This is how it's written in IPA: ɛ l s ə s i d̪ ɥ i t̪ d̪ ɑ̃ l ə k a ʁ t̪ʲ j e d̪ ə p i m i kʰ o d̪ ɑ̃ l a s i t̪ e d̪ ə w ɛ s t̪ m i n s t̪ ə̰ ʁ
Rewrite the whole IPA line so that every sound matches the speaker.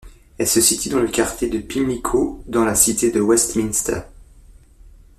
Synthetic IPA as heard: ɛ l s ə s i t̪ ɥ i d̪ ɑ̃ l ə k a ʁ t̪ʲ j e d̪ ə p i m i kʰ o d̪ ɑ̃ l a s i t̪ e d̪ ə w ɛ s t̪ m i n s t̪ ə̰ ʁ